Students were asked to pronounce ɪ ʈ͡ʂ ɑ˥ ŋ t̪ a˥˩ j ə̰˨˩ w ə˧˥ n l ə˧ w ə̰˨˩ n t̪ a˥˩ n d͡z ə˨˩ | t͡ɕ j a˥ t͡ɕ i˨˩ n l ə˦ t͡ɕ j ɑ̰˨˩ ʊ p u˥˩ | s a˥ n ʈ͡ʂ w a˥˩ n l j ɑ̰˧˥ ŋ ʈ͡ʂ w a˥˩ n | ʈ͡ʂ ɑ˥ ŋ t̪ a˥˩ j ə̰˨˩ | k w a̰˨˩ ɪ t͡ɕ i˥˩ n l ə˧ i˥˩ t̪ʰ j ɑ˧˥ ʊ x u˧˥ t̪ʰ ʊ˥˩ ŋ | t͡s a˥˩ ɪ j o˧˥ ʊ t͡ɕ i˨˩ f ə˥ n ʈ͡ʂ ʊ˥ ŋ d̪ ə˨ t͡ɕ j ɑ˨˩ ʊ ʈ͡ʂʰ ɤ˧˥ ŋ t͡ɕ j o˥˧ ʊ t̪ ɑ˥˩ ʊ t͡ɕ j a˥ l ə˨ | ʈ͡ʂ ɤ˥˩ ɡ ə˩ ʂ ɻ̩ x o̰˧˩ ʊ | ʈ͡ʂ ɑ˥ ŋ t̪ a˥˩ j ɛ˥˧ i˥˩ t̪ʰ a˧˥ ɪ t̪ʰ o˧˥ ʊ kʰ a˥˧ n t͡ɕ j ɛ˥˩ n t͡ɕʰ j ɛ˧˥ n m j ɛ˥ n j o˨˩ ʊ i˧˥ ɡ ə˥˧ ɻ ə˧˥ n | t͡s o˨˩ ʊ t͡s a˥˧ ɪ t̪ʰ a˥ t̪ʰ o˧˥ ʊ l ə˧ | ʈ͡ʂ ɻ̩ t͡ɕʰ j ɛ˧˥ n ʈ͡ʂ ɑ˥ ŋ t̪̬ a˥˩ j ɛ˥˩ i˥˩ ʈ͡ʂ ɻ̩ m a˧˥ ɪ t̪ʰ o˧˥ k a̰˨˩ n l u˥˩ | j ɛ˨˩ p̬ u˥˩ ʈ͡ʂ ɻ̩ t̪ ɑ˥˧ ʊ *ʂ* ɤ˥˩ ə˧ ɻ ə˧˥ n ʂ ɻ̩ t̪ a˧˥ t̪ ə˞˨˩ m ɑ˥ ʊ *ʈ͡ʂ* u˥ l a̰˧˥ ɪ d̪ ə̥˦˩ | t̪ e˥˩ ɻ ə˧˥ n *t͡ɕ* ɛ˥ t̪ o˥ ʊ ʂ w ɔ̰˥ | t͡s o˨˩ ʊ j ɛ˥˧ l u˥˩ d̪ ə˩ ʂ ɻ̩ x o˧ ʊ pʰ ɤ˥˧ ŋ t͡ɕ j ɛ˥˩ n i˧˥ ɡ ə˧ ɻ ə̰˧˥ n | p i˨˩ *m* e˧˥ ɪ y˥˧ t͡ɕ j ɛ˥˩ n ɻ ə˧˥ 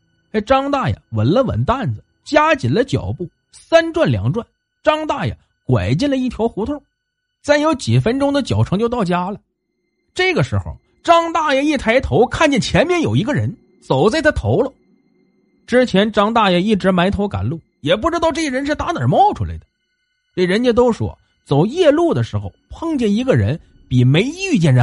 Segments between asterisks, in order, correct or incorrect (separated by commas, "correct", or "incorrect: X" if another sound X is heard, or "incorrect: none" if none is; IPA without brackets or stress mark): incorrect: ʈ͡ʂ, incorrect: ʈ͡ʂʰ, correct, correct